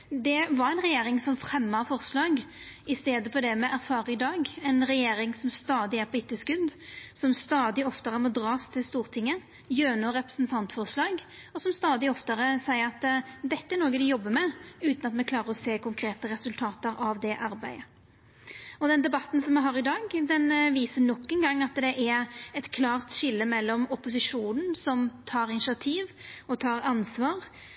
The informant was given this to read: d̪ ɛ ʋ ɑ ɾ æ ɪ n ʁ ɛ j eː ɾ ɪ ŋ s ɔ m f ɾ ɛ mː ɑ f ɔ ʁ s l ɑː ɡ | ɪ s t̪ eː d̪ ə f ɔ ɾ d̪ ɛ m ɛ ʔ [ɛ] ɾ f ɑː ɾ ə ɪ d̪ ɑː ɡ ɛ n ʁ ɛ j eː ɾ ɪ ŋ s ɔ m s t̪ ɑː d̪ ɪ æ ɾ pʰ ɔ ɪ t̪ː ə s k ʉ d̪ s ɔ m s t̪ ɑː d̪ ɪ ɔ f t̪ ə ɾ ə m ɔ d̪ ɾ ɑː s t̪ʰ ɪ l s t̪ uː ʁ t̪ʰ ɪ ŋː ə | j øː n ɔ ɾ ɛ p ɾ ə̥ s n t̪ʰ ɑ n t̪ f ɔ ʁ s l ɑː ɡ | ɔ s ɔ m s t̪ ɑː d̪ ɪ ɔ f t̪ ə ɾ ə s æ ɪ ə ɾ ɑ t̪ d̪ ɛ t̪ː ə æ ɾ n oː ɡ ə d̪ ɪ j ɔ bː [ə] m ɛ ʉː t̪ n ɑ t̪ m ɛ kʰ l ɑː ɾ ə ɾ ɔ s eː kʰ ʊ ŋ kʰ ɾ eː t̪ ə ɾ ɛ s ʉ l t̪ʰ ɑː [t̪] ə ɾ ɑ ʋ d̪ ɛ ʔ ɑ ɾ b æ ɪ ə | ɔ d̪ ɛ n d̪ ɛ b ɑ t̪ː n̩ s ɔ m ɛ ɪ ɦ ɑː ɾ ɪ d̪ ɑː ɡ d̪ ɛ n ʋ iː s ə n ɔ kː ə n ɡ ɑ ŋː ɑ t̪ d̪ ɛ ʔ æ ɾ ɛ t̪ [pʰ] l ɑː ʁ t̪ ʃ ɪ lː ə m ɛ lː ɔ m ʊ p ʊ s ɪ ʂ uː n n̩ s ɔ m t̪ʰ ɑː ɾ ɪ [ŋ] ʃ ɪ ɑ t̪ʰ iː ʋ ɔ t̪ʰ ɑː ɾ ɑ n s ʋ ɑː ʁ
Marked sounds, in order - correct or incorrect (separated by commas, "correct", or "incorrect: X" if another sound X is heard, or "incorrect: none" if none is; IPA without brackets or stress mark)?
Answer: incorrect: æ, correct, correct, incorrect: kʰ, incorrect: n